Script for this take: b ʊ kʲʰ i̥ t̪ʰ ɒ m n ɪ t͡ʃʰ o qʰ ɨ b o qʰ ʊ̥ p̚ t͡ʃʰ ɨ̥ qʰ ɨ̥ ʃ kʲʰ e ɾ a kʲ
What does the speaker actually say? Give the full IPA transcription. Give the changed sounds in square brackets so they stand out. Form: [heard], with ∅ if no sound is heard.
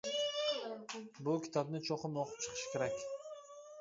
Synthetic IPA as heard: b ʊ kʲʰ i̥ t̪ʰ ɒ [b] n ɪ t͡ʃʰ o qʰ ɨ [m] o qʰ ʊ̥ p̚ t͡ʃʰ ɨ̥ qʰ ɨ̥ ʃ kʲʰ e ɾ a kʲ